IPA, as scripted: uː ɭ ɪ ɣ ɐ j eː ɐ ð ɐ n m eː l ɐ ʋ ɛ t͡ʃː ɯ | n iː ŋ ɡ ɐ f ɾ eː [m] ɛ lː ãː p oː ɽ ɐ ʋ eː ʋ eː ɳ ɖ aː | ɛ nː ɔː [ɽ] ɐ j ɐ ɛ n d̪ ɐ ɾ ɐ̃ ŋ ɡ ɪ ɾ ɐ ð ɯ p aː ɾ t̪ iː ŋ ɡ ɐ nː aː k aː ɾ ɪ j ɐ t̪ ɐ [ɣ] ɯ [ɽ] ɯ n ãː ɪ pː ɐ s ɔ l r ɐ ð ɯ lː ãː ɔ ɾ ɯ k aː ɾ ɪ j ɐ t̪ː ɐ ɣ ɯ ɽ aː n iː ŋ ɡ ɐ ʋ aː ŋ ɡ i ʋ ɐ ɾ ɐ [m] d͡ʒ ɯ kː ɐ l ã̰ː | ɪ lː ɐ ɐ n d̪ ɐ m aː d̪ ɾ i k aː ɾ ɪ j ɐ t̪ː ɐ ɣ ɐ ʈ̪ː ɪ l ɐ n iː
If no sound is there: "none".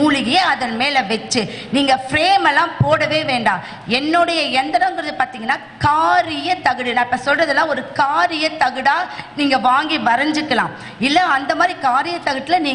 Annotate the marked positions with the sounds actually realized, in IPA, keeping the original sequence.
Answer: m, ɽ, ɣ, ɽ, ɲ

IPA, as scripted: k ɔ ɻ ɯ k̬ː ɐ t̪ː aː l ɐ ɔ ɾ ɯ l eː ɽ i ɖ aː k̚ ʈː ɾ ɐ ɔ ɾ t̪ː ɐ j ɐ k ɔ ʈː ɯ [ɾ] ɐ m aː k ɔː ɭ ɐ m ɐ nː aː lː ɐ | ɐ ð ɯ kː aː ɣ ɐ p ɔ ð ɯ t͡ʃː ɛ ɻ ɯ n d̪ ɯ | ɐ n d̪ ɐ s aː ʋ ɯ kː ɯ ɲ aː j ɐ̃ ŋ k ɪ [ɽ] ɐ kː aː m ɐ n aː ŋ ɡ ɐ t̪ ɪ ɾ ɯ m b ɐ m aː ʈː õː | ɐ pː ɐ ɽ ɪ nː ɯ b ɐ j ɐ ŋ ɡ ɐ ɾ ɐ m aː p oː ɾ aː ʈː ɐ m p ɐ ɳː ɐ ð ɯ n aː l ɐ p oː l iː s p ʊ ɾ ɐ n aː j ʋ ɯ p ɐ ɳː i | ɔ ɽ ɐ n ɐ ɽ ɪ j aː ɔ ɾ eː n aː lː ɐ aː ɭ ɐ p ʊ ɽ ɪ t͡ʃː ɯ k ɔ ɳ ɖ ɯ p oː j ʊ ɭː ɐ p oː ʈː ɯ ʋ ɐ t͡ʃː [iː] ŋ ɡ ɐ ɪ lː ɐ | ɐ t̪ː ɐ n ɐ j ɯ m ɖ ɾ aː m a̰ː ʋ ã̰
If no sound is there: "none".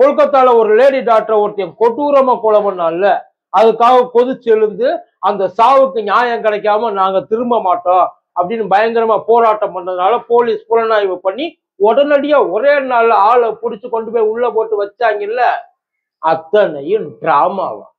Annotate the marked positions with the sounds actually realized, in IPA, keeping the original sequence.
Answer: ɾ, ɽ, aː

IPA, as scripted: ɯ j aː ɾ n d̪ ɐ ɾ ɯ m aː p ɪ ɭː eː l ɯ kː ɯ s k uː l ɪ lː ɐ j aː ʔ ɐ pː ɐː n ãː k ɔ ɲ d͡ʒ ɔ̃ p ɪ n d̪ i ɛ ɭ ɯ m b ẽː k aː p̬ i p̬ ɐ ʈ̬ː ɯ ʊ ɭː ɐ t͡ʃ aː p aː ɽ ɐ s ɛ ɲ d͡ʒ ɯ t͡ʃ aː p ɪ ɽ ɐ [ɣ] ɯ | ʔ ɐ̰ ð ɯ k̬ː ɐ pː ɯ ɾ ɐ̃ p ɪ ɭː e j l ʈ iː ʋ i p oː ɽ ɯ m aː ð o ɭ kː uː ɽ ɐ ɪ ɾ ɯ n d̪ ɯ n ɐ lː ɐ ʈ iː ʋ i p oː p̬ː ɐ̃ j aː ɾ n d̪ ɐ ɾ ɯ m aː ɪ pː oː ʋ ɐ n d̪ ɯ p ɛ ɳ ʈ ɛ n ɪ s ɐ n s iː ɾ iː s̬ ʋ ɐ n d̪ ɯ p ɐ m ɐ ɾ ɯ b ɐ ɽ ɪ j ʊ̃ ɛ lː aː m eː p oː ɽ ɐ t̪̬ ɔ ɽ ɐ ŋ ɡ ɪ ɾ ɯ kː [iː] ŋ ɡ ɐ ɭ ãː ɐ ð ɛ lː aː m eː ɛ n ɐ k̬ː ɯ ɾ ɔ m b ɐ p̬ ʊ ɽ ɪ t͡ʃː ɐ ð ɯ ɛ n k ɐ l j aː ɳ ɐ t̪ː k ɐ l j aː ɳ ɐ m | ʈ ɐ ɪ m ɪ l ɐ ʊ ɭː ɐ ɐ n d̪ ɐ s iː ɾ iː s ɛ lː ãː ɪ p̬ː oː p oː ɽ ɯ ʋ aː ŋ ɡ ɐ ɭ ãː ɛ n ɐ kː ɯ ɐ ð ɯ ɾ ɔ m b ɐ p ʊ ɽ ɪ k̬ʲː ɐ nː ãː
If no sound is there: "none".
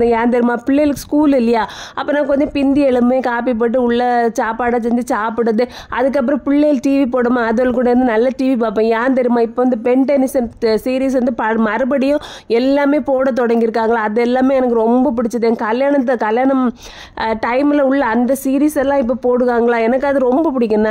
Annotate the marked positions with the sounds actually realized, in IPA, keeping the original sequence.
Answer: ð, aː

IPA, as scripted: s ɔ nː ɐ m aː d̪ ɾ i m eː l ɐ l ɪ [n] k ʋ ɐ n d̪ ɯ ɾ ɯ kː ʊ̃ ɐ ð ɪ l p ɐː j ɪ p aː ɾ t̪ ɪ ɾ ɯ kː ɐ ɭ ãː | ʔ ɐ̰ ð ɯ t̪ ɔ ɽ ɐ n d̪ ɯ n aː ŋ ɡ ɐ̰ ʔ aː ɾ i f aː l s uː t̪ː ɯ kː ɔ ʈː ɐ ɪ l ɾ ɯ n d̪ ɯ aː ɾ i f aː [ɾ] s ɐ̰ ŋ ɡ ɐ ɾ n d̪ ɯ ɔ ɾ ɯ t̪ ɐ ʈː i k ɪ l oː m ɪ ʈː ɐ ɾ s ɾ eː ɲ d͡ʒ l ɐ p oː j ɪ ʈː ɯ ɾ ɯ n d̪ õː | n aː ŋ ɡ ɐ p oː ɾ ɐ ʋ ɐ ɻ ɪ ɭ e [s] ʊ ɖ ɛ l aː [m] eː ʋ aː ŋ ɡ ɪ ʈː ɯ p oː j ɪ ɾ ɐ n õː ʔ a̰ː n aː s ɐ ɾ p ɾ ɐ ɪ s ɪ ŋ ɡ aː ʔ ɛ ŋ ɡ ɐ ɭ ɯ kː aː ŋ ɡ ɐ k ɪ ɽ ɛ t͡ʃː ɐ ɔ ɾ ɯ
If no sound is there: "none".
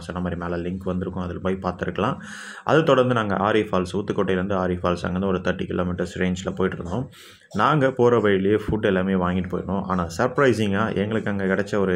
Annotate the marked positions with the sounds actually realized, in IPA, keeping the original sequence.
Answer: ŋ, l, f, m

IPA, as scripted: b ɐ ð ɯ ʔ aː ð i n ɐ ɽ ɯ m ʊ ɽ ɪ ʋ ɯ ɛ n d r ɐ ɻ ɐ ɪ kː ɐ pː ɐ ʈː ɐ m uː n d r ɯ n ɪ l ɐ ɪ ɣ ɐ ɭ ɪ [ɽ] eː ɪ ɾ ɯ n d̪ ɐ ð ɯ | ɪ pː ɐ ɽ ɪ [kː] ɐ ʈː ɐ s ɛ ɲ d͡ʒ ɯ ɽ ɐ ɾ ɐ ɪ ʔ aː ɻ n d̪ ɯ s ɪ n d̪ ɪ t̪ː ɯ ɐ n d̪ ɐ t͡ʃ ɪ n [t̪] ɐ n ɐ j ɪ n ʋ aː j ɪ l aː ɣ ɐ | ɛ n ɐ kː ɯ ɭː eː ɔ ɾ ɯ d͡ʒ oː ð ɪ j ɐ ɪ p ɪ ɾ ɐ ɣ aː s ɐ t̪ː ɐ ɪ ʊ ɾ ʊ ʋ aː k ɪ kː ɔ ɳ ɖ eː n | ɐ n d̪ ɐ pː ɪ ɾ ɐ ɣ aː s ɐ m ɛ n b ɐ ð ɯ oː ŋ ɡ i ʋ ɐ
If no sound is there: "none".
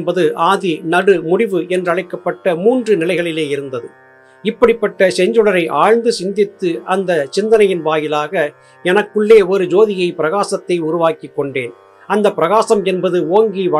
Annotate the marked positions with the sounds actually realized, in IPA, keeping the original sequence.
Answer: l, pː, d̪

